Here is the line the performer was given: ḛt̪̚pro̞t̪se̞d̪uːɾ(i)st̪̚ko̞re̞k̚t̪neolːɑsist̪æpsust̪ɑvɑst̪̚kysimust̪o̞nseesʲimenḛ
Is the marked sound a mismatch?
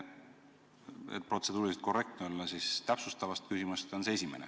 no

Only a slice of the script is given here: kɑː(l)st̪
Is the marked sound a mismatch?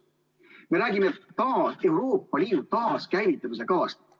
yes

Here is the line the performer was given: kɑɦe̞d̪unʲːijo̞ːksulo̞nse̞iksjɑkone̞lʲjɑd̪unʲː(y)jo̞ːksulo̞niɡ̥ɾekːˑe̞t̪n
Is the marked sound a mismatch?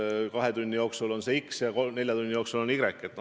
yes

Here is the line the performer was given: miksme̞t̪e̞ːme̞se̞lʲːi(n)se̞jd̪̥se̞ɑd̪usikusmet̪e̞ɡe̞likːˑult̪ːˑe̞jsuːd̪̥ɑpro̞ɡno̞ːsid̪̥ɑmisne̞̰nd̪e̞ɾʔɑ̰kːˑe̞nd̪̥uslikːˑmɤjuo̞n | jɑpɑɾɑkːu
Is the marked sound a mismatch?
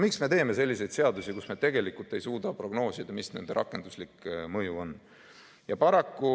yes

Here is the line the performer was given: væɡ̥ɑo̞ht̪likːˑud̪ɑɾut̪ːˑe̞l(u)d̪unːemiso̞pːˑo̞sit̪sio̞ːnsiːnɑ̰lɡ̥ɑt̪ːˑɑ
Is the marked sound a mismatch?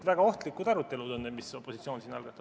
no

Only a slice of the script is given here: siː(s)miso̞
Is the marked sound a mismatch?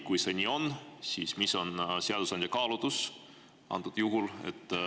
no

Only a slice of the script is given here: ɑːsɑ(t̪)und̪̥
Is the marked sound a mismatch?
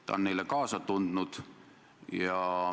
no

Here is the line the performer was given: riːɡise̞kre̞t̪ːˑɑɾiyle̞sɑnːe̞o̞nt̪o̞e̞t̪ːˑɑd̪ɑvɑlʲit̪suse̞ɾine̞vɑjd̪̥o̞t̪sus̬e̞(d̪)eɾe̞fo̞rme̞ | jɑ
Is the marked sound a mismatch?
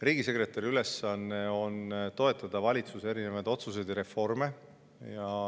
no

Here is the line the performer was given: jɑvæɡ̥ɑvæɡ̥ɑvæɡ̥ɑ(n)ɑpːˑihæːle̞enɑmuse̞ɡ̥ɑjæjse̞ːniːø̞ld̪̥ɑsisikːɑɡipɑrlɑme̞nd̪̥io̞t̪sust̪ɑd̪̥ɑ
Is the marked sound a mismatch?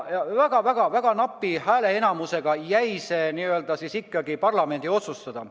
no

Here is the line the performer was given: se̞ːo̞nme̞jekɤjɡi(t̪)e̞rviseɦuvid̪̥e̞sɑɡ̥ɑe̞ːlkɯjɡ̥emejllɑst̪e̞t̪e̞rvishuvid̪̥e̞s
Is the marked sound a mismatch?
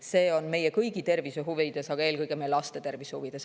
no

